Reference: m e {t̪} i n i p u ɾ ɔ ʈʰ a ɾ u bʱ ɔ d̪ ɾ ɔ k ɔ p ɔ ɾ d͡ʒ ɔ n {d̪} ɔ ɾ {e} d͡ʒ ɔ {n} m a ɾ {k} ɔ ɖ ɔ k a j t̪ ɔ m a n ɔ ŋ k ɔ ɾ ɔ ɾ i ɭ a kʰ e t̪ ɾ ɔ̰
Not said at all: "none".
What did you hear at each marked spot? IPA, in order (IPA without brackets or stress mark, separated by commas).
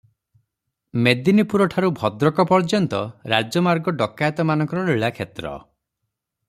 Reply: d̪, t̪, a, none, ɡ